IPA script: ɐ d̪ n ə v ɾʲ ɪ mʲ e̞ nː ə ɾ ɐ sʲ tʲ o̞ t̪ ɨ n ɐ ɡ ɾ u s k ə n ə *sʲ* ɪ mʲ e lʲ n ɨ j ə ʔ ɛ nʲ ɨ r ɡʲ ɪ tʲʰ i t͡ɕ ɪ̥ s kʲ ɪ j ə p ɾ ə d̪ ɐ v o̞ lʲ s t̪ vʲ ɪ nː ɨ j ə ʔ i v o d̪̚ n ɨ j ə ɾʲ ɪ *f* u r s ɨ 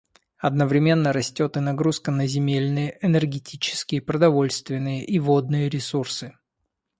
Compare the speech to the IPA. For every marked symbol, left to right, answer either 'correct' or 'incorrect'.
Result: incorrect, incorrect

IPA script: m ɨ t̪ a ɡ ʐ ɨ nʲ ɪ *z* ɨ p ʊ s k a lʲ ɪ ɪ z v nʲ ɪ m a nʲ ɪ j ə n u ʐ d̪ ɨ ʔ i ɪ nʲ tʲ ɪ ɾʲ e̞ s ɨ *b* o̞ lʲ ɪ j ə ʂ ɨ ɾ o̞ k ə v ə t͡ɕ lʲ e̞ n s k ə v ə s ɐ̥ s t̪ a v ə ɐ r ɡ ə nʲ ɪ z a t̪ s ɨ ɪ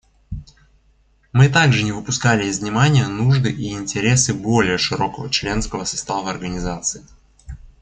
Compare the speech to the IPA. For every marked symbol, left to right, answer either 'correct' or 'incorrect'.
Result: incorrect, correct

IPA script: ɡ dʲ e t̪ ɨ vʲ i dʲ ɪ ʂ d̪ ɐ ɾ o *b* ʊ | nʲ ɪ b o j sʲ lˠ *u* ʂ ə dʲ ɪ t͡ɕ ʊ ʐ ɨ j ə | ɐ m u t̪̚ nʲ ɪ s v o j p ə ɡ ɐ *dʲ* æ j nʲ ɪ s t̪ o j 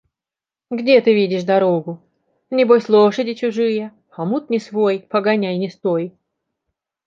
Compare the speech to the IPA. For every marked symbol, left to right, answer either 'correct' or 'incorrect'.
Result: incorrect, incorrect, incorrect

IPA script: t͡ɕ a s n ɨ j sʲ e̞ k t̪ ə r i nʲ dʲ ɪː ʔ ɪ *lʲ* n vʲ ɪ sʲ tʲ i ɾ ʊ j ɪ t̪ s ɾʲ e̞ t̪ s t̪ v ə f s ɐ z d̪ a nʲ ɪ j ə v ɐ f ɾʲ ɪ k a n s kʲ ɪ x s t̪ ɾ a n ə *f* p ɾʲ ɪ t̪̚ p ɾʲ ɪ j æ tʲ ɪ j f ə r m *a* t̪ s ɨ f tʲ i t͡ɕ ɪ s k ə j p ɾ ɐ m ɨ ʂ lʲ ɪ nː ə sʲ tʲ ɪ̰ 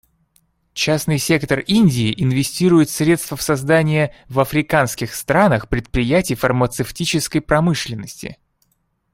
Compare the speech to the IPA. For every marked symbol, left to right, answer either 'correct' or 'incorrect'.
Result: incorrect, incorrect, incorrect

